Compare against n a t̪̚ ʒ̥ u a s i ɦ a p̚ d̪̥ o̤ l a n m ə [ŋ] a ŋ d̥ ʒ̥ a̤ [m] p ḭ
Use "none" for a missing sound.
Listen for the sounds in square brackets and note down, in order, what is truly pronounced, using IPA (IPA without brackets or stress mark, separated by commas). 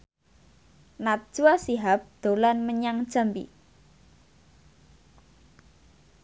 ɲ, m